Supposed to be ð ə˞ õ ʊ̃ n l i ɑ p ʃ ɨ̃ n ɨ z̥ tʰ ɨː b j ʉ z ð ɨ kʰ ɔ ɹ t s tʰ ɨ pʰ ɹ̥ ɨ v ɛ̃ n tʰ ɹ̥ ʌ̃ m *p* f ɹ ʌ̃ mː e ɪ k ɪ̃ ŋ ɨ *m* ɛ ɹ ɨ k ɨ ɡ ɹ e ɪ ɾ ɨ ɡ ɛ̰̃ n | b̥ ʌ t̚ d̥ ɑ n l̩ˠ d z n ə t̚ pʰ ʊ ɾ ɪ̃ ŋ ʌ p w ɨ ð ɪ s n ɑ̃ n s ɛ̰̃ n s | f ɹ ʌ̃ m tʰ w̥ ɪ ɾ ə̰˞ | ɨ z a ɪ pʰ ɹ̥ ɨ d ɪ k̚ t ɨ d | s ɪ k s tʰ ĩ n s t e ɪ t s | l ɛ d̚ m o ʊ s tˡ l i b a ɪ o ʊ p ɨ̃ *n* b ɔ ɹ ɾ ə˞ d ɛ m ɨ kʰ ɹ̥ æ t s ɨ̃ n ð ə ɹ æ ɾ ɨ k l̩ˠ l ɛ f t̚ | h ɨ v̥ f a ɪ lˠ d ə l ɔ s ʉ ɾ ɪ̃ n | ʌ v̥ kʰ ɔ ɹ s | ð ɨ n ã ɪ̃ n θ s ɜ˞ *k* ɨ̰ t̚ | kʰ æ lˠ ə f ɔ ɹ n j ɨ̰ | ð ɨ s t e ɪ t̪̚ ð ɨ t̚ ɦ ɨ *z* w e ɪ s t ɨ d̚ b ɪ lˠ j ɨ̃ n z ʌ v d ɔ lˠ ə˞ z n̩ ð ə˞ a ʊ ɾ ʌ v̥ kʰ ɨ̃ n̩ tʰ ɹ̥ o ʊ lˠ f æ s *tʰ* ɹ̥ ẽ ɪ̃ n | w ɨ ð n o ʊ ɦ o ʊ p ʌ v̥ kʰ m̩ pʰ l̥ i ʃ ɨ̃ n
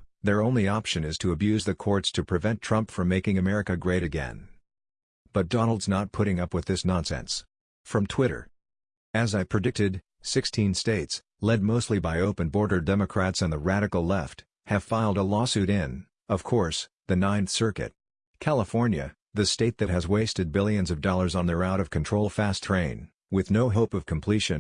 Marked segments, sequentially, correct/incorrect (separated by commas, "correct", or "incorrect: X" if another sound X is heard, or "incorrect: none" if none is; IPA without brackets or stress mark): correct, correct, correct, correct, correct, correct